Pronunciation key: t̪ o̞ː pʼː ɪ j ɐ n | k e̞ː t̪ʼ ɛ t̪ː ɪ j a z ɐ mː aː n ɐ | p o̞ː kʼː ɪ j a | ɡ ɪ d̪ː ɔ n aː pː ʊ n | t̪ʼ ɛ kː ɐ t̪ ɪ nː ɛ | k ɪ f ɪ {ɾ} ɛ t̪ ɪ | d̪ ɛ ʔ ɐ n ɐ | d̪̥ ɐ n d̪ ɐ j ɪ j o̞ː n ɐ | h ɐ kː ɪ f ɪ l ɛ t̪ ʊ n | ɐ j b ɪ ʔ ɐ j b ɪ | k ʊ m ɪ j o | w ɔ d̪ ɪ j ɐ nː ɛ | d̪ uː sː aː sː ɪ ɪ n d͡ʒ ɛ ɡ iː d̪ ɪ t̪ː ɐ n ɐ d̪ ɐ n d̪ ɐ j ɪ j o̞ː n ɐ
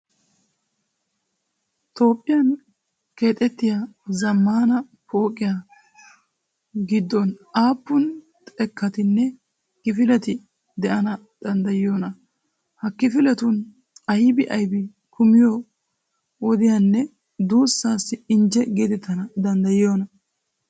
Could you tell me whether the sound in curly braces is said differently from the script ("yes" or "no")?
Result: yes